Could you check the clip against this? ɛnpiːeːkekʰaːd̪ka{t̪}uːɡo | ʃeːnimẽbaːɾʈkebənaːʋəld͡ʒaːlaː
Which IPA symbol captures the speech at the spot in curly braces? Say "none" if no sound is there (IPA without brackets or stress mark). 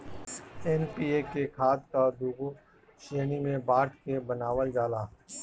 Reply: d̪